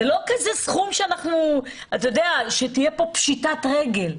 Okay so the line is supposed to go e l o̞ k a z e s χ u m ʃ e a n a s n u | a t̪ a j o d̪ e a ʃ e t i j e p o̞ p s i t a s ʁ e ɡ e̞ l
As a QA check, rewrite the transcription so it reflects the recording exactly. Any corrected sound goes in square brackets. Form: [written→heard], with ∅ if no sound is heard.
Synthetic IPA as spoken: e l o̞ k a z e s χ u m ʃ e a n a [s→χ] n u | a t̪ a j o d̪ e a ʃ e t i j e p o̞ p [s→ʃ] i t a [s→t] ʁ e ɡ e̞ l